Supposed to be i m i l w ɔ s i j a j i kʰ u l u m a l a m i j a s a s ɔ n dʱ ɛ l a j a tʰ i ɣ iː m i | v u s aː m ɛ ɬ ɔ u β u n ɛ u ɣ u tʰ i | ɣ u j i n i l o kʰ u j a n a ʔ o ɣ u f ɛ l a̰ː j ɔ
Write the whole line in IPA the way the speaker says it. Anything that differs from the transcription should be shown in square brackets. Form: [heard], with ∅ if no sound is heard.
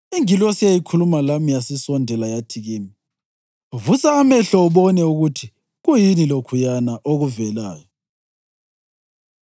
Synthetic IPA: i [ŋ] i l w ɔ s i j a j i kʰ u l u m a l a m i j a s [i] s ɔ n dʱ ɛ l a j a tʰ i ɣ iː m i | v u s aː m ɛ ɬ ɔ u β [ɔ] n ɛ u ɣ u tʰ i | ɣ u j i n i l o kʰ u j a n a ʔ o ɣ u [v] ɛ l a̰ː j ɔ